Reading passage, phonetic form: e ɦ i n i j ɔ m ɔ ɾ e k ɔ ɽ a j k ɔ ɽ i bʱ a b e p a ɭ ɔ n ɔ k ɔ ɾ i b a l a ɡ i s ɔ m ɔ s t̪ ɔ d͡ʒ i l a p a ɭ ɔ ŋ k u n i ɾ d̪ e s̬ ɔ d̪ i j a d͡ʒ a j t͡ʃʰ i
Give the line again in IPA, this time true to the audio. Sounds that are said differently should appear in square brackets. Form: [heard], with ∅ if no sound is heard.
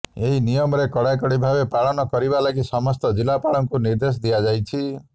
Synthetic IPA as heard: e ɦ i n i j ɔ m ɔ ɾ e k ɔ ɽ a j k ɔ ɽ i bʱ a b e p a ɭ ɔ n ɔ k ɔ ɾ i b a l a ɡ i s ɔ m ɔ s t̪ ɔ d͡ʒ i l a p a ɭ ɔ ŋ k u n i ɾ d̪ e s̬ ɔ d̪ i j a d͡ʒ a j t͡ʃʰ i